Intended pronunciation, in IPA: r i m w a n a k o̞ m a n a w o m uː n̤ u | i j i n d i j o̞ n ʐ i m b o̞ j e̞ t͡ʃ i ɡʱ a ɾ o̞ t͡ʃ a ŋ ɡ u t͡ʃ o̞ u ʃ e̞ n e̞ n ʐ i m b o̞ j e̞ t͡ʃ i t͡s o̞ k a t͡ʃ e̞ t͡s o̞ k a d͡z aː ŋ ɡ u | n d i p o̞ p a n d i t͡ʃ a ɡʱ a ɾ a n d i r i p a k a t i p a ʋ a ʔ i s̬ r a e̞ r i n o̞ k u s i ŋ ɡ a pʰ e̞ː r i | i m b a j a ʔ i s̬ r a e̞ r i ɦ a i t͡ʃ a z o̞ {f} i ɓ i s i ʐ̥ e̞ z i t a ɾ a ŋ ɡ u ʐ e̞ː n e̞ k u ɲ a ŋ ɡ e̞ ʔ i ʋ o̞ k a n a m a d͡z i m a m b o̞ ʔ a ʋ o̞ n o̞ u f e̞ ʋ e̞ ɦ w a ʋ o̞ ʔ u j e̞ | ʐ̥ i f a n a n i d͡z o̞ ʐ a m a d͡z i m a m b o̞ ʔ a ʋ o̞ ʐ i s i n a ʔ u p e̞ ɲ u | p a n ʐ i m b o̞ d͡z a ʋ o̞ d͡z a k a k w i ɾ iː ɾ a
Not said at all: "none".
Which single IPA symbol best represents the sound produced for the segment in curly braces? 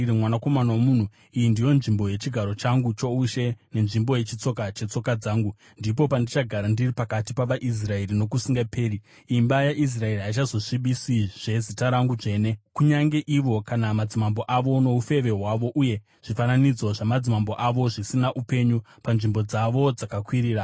ʂ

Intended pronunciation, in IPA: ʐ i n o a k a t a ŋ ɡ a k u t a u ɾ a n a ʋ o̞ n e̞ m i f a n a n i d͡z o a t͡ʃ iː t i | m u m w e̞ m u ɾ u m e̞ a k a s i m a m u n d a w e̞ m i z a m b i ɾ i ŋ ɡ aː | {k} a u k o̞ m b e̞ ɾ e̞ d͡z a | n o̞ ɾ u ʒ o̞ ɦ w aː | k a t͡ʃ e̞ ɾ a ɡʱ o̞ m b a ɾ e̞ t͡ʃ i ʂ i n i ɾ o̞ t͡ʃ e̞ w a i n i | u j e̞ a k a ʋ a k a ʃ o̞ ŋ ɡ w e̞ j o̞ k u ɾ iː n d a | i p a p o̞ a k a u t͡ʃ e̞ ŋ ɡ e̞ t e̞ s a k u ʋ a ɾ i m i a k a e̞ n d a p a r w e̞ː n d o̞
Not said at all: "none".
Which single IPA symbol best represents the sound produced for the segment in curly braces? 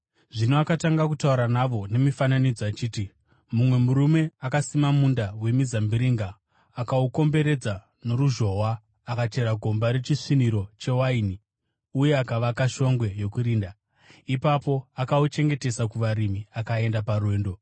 k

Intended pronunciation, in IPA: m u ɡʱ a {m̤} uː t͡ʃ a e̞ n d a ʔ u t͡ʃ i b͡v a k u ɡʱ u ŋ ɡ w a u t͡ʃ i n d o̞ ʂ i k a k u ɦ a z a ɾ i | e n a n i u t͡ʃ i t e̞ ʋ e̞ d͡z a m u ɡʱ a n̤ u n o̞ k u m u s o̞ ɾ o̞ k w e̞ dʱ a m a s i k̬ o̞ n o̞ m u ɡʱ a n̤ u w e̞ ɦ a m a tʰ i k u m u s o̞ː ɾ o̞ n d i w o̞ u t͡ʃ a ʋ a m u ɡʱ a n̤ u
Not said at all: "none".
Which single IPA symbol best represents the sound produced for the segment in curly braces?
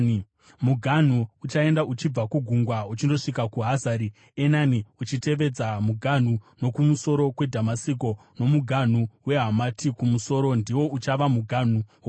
n̤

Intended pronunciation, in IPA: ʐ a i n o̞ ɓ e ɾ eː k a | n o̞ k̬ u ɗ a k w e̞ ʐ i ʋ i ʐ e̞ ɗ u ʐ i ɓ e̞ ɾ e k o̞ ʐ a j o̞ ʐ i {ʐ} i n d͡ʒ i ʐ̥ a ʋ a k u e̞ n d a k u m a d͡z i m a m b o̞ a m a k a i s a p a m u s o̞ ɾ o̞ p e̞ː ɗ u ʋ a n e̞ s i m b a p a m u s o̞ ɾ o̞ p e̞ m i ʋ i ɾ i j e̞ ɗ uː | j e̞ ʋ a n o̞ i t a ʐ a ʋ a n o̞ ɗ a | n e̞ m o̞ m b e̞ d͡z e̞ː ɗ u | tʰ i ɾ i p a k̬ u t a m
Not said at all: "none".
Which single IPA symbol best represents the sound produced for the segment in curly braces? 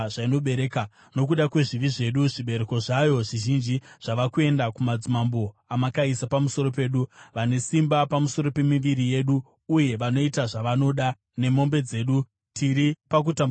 ʒ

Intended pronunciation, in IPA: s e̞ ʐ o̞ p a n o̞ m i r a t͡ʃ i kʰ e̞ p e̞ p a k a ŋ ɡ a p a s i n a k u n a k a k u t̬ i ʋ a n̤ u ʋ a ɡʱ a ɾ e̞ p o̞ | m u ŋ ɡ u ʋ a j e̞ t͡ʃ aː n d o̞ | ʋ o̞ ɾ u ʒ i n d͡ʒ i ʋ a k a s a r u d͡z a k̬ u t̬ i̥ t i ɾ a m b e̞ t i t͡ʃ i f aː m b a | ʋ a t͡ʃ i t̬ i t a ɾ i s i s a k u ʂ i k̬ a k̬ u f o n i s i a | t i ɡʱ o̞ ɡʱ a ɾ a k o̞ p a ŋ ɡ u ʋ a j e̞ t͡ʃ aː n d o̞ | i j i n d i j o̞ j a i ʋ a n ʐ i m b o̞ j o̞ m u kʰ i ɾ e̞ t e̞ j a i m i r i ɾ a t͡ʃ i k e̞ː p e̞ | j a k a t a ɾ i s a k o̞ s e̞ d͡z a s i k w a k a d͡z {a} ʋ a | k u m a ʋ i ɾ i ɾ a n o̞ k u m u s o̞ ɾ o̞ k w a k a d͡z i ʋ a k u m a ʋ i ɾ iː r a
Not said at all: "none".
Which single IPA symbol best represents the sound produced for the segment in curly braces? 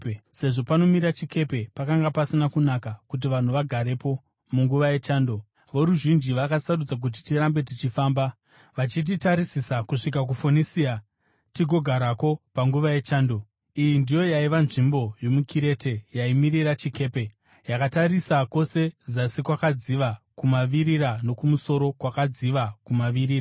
i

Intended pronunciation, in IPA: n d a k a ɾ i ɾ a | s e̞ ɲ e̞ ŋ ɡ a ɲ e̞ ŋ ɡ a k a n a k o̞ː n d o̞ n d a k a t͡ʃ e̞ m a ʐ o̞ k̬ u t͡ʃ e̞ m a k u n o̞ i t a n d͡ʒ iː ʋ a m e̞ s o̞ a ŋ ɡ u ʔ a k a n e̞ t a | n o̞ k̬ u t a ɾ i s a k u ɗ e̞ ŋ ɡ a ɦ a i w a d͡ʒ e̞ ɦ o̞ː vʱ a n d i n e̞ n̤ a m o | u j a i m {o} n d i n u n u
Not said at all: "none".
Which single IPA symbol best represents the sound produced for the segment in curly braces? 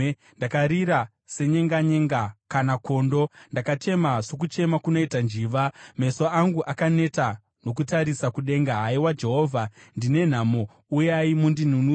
u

